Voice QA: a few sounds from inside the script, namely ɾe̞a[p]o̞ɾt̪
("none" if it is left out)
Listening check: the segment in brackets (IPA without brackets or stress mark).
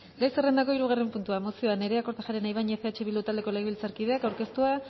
k